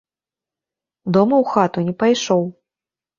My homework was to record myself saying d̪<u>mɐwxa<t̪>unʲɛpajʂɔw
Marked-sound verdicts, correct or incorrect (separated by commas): incorrect, correct